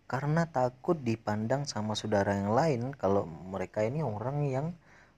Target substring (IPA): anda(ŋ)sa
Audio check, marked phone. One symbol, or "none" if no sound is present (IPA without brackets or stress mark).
ŋ